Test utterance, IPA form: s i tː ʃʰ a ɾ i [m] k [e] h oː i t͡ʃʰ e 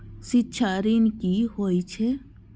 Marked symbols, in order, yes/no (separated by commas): no, no